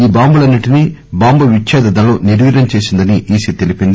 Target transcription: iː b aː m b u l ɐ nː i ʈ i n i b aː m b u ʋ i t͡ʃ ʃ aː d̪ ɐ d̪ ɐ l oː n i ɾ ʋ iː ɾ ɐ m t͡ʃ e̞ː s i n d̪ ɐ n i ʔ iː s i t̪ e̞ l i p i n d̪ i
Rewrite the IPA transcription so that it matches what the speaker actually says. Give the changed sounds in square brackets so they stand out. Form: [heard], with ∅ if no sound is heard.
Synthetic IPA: iː b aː m b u l ɐ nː i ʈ i n i b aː m b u ʋ i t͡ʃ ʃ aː d̪ ɐ d̪ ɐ l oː n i ɾ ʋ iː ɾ ɐ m t͡ʃ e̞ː s i n d̪ ɐ n i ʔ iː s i t̪ e̞ l i p i n d̪ i